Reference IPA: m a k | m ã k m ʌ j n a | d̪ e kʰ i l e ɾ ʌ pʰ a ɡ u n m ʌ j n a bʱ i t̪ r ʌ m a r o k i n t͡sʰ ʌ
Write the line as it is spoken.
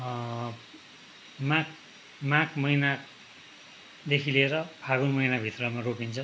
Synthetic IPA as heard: m a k | m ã k m ʌ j n a | d̪ e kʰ i l e ɾ ʌ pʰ a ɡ u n m ʌ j n a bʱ i t̪ r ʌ m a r o k i n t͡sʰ ʌ